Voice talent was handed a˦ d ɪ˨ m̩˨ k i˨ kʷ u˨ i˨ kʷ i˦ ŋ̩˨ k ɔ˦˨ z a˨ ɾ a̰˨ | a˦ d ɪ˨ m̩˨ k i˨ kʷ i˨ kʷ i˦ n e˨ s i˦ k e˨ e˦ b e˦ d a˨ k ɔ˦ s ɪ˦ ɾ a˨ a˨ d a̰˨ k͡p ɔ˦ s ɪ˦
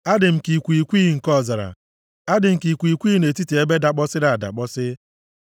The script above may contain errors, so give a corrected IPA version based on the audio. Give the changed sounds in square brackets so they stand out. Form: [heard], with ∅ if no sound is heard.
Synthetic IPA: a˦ d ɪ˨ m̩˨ k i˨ kʷ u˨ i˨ kʷ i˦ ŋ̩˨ k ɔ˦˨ z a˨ ɾ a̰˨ | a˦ d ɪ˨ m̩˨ k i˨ kʷ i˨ kʷ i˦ n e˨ [t] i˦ [t] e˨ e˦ b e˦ d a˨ [k͡p] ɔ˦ s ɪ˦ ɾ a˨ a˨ d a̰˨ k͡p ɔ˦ s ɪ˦